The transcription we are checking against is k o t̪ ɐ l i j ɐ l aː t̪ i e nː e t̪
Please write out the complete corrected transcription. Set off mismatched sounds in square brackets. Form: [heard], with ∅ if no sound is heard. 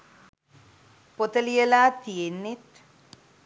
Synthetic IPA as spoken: [p] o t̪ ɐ l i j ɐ l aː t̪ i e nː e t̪